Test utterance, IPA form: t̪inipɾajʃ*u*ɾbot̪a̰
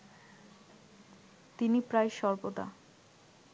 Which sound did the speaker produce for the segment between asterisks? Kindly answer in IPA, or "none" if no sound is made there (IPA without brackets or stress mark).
ɔ